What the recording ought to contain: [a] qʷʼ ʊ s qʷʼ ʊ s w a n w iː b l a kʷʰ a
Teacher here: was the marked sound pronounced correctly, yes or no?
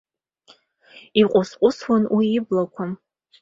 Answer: no